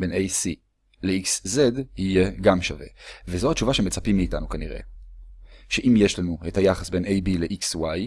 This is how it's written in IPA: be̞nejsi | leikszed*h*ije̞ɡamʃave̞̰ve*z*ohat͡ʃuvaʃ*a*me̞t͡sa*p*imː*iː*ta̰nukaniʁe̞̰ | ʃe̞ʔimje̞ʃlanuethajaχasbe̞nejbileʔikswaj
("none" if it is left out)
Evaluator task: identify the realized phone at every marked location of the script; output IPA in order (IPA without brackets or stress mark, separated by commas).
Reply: h, z, e, p, iː